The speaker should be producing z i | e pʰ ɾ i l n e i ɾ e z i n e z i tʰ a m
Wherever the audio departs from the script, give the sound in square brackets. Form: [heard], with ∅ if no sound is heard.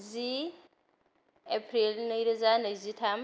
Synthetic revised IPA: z i | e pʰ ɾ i l n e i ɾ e z [a] n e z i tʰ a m